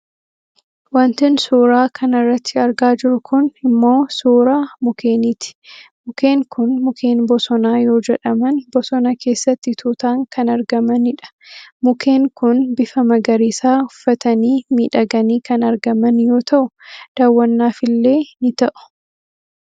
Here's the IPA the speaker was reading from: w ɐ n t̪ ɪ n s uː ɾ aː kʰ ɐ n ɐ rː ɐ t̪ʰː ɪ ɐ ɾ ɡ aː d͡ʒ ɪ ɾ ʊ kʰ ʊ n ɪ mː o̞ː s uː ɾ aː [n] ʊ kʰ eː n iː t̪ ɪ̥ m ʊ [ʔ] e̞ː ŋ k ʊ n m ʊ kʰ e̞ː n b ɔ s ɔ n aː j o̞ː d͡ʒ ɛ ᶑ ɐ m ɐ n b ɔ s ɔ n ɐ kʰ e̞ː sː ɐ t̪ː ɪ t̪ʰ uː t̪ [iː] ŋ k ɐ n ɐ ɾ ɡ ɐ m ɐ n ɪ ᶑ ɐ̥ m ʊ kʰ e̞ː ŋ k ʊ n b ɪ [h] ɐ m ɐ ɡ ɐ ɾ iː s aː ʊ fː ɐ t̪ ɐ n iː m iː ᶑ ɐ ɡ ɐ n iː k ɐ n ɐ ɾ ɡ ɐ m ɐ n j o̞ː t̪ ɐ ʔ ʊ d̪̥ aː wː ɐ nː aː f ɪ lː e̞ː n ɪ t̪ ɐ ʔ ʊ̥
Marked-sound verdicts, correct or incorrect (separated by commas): incorrect, incorrect, incorrect, incorrect